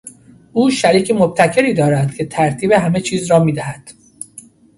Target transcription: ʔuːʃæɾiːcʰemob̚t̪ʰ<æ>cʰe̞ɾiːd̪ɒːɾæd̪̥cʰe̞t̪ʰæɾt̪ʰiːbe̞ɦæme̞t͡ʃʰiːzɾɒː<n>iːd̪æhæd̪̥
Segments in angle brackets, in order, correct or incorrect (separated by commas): correct, incorrect